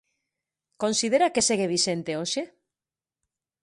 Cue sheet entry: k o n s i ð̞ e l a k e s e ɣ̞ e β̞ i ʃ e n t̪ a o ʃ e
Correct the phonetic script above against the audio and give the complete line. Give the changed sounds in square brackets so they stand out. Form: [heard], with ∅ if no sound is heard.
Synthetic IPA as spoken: k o n s i ð̞ e [ɾ] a k e s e ɣ̞ e β̞ i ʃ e n t̪ [e] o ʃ e